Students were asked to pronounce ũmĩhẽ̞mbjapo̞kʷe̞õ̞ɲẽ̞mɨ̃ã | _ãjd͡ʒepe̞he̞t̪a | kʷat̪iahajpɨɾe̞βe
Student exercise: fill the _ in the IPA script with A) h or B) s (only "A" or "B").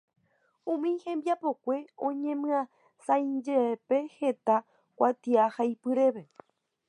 B